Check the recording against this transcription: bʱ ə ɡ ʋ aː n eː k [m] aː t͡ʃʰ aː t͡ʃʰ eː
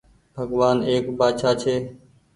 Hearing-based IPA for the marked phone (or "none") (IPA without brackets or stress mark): b